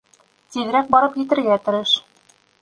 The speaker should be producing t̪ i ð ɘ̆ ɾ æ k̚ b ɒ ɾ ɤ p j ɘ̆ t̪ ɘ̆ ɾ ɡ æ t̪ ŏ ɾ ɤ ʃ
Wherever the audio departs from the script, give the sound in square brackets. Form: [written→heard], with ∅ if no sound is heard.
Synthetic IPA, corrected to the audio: t̪ i ð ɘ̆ ɾ æ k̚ b ɒ ɾ ɤ p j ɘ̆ t̪ ɘ̆ ɾ ɡ æ t̪ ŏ ɾ ɤ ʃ